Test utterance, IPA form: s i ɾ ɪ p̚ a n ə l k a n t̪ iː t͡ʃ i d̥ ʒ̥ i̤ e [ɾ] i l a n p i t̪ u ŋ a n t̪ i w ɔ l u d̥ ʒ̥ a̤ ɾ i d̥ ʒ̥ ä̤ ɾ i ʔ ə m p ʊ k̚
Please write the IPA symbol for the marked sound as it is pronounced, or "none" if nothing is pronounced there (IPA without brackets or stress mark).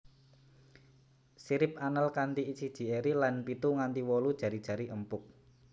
ɾ